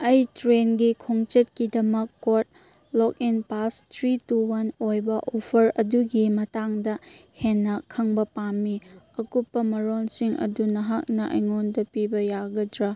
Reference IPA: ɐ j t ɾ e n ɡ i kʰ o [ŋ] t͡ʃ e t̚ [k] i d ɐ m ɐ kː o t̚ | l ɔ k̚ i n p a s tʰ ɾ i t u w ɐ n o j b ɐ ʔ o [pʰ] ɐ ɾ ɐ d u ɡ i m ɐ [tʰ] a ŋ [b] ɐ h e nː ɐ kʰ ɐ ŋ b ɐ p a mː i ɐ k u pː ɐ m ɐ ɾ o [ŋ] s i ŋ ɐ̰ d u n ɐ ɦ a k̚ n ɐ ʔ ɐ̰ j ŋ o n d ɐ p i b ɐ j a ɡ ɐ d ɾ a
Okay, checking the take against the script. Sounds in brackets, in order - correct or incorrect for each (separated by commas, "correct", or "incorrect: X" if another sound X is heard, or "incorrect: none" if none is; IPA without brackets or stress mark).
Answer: correct, correct, correct, incorrect: t, incorrect: d, incorrect: n